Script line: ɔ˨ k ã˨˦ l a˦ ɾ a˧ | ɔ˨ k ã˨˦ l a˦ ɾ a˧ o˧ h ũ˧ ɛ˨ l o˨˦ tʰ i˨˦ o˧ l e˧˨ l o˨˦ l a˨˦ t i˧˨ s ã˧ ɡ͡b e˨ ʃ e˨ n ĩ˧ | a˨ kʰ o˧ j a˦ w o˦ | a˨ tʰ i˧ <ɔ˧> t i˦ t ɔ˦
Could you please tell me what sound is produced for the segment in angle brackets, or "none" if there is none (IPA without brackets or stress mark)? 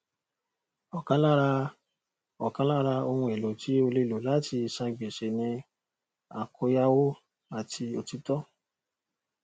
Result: o˧